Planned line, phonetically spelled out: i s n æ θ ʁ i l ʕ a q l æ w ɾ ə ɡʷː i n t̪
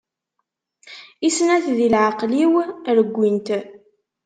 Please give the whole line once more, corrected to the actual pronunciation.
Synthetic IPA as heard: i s n æ θ ð i l ʕ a q l i w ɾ ə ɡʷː i n t̪

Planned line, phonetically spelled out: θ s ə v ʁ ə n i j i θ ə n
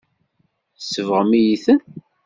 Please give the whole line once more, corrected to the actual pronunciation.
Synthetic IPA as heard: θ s ə v ʁ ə m i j i θ ə n

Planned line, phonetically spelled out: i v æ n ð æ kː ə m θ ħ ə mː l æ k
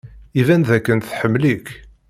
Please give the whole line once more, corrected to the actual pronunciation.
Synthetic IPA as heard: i v æ n ð æ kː ə n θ ħ ə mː l i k

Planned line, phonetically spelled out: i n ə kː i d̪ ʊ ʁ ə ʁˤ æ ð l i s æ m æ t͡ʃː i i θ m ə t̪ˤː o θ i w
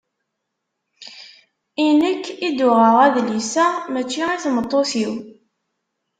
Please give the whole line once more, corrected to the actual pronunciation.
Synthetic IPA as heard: i n ə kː i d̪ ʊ ʁ ə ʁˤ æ ð l i s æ m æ t͡ʃː i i θ m ə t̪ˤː o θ i w

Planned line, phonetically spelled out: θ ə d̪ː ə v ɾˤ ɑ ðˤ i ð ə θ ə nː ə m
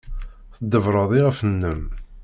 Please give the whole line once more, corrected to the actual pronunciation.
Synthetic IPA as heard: θ ə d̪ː ə v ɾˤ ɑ ðˤ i ʁ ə f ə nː ə m

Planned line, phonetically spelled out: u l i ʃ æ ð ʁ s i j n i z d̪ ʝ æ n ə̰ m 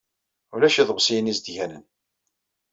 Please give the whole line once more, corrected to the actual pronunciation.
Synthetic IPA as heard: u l æ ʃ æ ð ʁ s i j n i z d̪ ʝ æ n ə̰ n

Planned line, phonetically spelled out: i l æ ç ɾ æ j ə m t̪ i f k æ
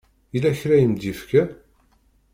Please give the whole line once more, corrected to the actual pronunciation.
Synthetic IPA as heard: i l æ ç ɾ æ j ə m d̪ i f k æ

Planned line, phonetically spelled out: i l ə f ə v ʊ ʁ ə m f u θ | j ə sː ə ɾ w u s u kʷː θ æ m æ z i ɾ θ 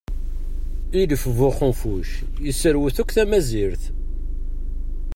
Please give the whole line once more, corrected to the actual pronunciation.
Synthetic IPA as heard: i l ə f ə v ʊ χ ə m f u ʃ | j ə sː ə ɾ w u θ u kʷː θ æ m æ z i ɾ θ

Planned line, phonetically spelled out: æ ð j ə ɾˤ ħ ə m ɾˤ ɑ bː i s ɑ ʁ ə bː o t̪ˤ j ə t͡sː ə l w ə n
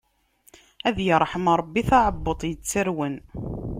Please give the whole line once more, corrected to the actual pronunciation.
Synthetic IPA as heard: æ ð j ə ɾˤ ħ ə m ɾˤ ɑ bː i θ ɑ ʕ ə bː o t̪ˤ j ə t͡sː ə ɾ w ə n

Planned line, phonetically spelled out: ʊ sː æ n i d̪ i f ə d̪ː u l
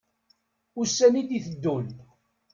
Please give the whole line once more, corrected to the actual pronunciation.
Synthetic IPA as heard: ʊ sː æ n i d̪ i θ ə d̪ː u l

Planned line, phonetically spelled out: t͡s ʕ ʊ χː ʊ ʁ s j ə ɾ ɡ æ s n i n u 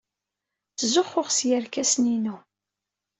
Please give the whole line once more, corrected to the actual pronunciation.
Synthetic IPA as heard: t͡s z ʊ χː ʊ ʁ s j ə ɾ k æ s n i n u

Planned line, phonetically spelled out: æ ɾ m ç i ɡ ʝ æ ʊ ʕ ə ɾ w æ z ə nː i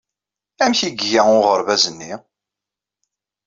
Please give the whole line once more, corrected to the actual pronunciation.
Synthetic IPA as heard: æ m ç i ɡ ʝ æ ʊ ʁ ə ɾ v æ z ə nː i

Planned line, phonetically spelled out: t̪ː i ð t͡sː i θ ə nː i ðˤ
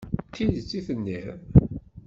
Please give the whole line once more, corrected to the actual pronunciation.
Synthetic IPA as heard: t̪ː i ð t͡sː i θ ə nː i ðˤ

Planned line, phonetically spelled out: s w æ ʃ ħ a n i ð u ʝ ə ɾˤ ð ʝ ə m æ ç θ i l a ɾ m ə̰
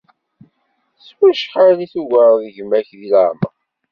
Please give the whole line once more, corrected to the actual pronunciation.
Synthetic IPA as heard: s w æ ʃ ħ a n i θ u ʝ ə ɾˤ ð ʝ ə m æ ç ð i l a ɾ m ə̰

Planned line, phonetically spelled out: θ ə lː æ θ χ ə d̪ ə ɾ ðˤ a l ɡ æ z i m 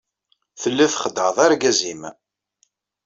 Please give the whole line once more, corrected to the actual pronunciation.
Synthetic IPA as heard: θ ə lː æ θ χ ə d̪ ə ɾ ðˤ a ɾ ɡ æ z i m

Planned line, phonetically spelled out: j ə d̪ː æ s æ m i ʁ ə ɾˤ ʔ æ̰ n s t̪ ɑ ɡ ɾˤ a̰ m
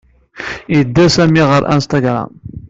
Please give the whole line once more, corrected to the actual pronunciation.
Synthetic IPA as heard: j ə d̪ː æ s æ m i ʁ ə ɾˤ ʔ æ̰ n s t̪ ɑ ɡ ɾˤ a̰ m

